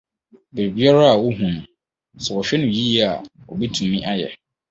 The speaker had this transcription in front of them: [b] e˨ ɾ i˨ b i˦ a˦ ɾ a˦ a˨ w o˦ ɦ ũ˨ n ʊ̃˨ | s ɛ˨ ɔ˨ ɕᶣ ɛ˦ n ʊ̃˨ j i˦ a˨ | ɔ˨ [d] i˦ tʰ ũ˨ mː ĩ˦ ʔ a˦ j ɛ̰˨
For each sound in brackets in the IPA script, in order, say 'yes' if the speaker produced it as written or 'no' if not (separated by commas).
yes, no